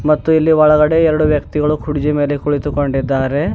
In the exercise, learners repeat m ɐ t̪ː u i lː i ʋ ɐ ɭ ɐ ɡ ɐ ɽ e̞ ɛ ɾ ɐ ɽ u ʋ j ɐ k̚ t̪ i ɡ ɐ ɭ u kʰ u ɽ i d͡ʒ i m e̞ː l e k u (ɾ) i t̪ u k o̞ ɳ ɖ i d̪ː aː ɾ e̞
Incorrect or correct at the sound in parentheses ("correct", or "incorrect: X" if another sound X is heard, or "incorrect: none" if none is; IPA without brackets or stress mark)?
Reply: incorrect: ɭ